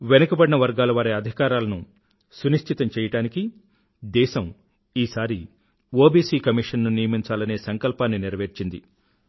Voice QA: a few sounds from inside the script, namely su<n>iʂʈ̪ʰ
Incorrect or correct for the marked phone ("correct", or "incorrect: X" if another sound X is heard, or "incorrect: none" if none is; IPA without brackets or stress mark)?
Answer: correct